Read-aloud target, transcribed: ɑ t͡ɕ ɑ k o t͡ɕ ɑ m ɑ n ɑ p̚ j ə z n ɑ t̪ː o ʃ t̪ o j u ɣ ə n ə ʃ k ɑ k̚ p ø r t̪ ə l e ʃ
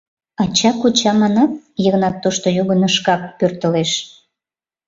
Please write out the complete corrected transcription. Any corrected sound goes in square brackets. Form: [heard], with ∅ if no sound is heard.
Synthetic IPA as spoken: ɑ t͡ɕ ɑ k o t͡ɕ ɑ m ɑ n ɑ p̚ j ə [ɣ] n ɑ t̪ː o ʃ t̪ o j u ɣ ə n ə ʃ k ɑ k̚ p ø r t̪ ə l e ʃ

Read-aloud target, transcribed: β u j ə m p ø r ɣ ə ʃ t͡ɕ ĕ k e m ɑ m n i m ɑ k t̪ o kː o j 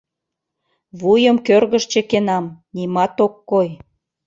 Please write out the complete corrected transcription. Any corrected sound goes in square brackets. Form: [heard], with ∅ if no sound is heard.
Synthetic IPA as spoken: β u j ə m [k] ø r ɣ ə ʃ t͡ɕ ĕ k e [n] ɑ m n i m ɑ [∅] t̪ o kː o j

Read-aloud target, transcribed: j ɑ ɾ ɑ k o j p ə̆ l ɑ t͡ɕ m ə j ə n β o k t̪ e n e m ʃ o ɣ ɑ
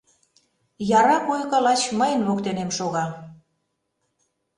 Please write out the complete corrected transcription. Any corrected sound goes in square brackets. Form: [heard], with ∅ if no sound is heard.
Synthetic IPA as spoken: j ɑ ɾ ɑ k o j [k] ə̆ l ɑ t͡ɕ m ə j ə n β o k t̪ e n e m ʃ o ɣ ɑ

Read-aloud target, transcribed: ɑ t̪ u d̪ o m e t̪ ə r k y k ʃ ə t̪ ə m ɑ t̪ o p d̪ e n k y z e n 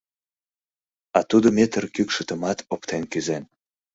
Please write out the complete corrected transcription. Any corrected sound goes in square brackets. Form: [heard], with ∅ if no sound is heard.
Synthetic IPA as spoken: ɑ t̪ u d̪ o m e t̪ ə r k y k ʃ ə t̪ ə m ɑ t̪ o p [t̪] e n k y z e n

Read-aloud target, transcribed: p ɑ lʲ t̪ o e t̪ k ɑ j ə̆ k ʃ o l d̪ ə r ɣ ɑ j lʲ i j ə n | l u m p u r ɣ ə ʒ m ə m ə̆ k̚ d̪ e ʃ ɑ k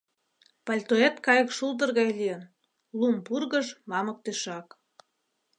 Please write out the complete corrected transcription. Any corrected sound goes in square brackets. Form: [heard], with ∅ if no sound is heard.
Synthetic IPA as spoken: p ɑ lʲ t̪ o e t̪ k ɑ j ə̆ k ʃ [u] l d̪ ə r ɣ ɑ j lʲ i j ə n | l u m p u r ɣ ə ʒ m [ɑ] m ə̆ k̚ [t̪] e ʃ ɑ k

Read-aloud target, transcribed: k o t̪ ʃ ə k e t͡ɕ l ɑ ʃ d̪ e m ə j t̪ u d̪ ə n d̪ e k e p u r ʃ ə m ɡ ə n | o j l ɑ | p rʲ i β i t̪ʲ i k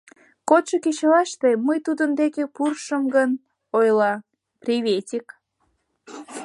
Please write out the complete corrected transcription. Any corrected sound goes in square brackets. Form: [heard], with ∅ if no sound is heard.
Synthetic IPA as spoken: k o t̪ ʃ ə k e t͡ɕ l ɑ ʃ [t̪] e m ə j t̪ u d̪ ə n d̪ e k e p u r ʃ ə m ɡ ə n | o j l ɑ | p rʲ i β [e] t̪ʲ i k

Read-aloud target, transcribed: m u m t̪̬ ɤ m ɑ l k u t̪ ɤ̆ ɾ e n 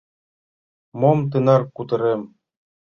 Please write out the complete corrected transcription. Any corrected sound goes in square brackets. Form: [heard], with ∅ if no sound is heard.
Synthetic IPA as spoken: m [o] m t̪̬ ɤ [n] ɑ [r] k u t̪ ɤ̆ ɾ e [m]

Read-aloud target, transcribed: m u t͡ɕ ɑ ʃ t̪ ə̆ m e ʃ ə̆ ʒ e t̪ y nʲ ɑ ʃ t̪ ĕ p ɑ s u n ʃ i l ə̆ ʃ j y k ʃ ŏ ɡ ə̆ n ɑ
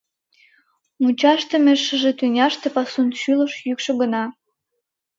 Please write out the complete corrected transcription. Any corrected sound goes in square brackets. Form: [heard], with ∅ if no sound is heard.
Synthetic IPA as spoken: m u t͡ɕ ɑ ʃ t̪ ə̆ m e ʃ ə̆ ʒ e t̪ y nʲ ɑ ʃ t̪ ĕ p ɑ s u n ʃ [y] l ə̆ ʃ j y k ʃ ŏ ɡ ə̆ n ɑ

